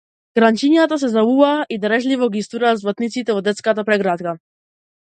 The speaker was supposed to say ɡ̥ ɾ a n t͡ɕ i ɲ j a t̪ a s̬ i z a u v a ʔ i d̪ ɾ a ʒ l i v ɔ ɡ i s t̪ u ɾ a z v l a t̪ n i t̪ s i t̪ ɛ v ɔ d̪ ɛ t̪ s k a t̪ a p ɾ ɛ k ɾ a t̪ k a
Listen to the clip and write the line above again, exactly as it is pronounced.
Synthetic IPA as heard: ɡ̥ ɾ a n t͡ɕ i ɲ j a t̪ a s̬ ɛ z a u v a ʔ i d̪ ɾ ɛ ʒ l i v ɔ ɡ i s t̪ u ɾ a z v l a t̪ n i t̪ s i t̪ ɛ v ɔ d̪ ɛ t̪ s k a t̪ a p ɾ ɛ ɡ ɾ a t̪ k a

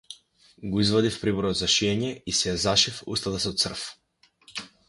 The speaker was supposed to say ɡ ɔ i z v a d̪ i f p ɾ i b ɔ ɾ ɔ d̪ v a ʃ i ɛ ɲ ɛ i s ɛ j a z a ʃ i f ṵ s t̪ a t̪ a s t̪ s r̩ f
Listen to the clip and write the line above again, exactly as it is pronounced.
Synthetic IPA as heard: ɡ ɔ i z v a d̪ i f p ɾ i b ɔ ɾ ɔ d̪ z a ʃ i ɛ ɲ ɛ i s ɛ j a z a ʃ i f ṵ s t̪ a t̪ a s t̪ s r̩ f

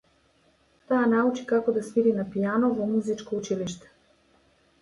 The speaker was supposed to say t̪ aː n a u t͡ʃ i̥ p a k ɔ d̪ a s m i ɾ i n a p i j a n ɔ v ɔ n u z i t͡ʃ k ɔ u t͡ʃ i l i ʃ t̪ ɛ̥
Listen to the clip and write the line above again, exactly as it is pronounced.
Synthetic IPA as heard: t̪ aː n a u t͡ʃ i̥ k a k ɔ d̪ a s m i ɾ i n a p i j a n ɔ v ɔ m u z i t͡ʃ k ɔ u t͡ʃ i l i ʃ t̪ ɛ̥

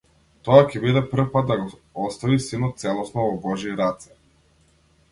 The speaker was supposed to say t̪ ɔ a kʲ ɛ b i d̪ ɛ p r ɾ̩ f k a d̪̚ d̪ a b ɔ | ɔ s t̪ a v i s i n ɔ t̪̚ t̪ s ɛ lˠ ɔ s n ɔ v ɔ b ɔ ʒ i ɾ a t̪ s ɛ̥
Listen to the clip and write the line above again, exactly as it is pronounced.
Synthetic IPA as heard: t̪ ɔ a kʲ ɛ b i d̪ ɛ p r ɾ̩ f p a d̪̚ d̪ a ɡ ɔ | ɔ s t̪ a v i s i n ɔ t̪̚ t̪ s ɛ lˠ ɔ s n ɔ v ɔ b ɔ ʒ i ɾ a t̪ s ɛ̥

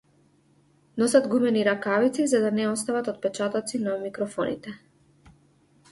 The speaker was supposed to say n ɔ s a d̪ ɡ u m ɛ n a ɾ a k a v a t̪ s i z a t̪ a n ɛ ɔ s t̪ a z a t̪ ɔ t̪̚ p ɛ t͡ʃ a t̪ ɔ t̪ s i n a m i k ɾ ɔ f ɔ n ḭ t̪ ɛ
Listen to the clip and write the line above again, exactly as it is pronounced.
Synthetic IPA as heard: n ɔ s a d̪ ɡ u m ɛ n i ɾ a k a v i t̪ s i z a d̪ a n ɛ ɔ s t̪ a v a t̪ ɔ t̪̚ p ɛ t͡ʃ a t̪ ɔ t̪ s i n a m i k ɾ ɔ f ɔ n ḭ t̪ ɛ

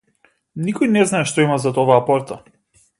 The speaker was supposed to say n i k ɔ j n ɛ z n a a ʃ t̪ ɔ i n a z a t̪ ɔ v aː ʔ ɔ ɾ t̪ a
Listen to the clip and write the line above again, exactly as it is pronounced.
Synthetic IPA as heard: n i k ɔ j n ɛ z n a ɛ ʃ t̪ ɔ i m a z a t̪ ɔ v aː p ɔ ɾ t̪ a

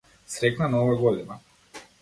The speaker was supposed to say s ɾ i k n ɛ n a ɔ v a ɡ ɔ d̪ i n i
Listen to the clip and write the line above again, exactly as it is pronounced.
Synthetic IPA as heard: s ɾ ɛ k n a n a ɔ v a ɡ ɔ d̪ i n a

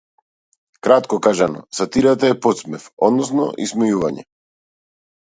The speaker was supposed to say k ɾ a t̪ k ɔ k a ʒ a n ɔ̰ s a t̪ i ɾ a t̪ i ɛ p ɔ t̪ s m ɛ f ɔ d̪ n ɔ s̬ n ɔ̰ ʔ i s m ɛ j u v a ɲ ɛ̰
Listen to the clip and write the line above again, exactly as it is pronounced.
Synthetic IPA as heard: k ɾ a t̪ k ɔ k a ʒ a n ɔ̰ s a t̪ i ɾ a t̪ a ɛ p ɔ t̪ s m ɛ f ɔ d̪ n ɔ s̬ n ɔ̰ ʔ i s m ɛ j u v a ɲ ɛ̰

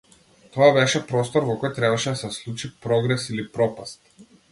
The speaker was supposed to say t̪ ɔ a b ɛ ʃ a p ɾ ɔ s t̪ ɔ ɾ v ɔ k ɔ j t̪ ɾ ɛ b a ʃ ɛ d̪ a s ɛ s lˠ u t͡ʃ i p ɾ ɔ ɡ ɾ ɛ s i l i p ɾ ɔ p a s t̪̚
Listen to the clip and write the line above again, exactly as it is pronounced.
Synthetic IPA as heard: t̪ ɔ a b ɛ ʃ ɛ p ɾ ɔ s t̪ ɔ ɾ v ɔ k ɔ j t̪ ɾ ɛ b a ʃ ɛ d̪ a s ɛ s lˠ u t͡ʃ i p ɾ ɔ ɡ ɾ ɛ s i l i p ɾ ɔ p a s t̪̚

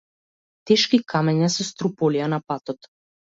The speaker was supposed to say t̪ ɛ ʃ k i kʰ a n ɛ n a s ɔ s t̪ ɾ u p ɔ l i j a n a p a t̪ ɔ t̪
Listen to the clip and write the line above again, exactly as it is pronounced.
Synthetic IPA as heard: t̪ ɛ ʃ k i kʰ a m ɛ ɲ a s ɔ s t̪ ɾ u p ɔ l i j a n a p a t̪ ɔ t̪

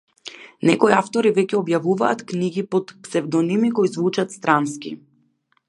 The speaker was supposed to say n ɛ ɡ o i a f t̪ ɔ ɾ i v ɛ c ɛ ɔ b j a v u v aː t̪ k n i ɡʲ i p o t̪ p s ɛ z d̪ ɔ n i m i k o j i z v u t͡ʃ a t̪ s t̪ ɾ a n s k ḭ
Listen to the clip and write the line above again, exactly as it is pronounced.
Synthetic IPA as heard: n ɛ k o i a f t̪ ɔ ɾ i v ɛ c ɛ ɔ b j a v u v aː t̪ k n i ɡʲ i p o t̪ p s ɛ v d̪ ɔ n i m i k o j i z v u t͡ʃ a t̪ s t̪ ɾ a n s k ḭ

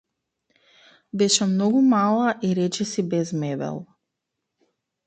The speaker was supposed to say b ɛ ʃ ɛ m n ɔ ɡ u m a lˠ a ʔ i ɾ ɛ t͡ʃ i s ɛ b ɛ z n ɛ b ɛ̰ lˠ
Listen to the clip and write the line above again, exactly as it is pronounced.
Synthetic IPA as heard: b ɛ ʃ ɛ m n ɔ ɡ u m a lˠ a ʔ i ɾ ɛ t͡ʃ ɛ s i b ɛ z m ɛ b ɛ̰ lˠ

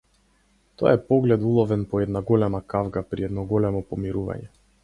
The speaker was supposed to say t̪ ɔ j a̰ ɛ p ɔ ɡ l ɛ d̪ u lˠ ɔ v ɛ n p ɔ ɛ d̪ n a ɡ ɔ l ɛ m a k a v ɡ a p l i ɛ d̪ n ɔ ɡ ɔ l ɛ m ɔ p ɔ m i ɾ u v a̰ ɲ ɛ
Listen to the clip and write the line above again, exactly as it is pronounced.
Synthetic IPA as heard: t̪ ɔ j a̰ ɛ p ɔ ɡ l ɛ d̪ u lˠ ɔ v ɛ n p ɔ ɛ d̪ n a ɡ ɔ l ɛ m a k a v ɡ a p ɾ i ɛ d̪ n ɔ ɡ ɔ l ɛ m ɔ p ɔ m i ɾ u v a̰ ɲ ɛ

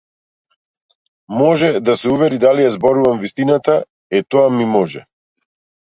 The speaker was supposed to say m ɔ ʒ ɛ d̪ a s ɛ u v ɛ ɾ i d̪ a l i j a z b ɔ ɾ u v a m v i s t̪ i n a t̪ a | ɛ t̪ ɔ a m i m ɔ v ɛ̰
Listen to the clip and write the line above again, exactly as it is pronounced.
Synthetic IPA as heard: m ɔ ʒ ɛ d̪ a s ɛ u v ɛ ɾ i d̪ a l i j a z b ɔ ɾ u v a m v i s t̪ i n a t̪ a | ɛ t̪ ɔ a m i m ɔ ʒ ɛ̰

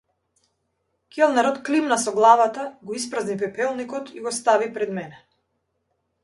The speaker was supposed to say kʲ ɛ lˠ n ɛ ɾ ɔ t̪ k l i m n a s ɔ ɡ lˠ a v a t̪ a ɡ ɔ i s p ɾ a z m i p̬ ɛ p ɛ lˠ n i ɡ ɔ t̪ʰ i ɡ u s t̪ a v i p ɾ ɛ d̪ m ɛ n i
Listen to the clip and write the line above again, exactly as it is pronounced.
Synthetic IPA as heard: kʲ ɛ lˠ n ɛ ɾ ɔ t̪ k l i m n a s ɔ ɡ lˠ a v a t̪ a ɡ ɔ i s p ɾ a z n i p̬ ɛ p ɛ lˠ n i k ɔ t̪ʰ i ɡ ɔ s t̪ a v i p ɾ ɛ d̪ m ɛ n ɛ

